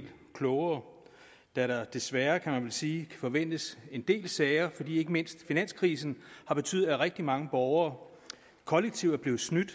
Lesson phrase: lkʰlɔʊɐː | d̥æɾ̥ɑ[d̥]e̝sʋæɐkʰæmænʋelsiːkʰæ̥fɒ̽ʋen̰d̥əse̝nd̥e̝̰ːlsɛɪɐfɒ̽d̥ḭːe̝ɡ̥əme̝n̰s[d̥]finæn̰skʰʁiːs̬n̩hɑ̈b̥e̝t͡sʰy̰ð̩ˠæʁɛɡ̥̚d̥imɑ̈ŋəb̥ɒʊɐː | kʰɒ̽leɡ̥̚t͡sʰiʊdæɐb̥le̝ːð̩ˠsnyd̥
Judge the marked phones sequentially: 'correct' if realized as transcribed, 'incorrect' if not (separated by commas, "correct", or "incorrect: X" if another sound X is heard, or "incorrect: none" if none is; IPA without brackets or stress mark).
correct, correct